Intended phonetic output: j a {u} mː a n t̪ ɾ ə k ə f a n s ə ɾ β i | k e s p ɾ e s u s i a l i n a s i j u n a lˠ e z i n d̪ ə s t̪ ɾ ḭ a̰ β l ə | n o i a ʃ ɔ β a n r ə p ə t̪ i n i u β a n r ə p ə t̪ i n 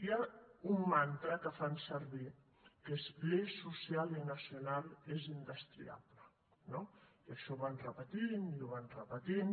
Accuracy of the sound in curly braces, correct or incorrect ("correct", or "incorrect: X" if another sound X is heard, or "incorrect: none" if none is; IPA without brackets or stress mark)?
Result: correct